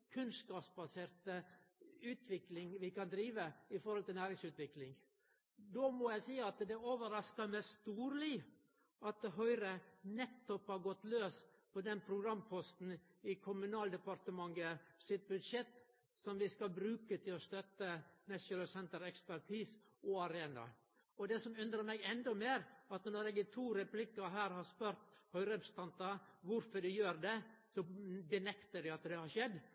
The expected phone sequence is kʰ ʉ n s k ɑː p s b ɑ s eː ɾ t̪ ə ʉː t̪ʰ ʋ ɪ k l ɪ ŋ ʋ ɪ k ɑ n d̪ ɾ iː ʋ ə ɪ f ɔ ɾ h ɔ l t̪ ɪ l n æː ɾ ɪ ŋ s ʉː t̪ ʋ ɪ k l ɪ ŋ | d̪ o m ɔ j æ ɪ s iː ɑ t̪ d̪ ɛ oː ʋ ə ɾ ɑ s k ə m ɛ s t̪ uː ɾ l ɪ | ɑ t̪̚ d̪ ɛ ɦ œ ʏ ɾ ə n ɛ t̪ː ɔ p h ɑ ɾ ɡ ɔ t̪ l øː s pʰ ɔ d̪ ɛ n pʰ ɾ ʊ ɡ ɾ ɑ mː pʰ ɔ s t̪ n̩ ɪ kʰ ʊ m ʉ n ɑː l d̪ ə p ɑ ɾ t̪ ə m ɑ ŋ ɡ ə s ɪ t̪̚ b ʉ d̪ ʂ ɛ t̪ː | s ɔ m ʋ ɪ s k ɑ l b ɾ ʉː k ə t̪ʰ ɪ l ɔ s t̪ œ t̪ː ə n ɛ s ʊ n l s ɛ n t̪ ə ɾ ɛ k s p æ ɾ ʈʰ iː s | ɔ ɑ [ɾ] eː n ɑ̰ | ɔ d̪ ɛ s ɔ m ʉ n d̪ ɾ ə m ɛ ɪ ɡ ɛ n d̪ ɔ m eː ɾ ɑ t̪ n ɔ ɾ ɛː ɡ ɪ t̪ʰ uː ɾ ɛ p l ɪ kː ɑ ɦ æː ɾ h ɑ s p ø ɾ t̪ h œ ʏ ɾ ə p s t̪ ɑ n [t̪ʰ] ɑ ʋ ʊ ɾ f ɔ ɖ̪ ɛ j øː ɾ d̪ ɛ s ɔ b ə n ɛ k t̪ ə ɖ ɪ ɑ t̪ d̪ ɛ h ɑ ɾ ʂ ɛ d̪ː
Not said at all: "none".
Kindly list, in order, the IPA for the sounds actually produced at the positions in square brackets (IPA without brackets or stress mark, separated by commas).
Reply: ɾ, t̪